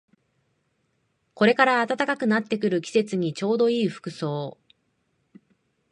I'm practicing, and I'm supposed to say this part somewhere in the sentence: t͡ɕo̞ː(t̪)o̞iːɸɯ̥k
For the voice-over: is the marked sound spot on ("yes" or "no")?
no